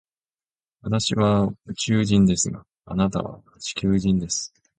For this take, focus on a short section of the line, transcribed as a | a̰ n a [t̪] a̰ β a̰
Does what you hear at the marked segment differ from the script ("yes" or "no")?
no